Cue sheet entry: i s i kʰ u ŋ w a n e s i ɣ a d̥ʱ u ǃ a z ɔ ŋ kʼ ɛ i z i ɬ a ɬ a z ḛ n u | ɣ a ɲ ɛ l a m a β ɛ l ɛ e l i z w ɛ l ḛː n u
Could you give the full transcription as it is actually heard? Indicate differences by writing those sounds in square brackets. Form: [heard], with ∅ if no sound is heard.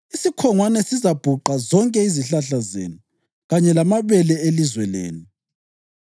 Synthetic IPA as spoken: i s i kʰ [ɔ] ŋ w a n [ɛ] s i [z] a [b̥ʱ] u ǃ a z ɔ ŋ kʼ ɛ i z i ɬ a ɬ a z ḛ n u | ɣ a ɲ ɛ l a m a β ɛ l ɛ e l i z w ɛ l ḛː n u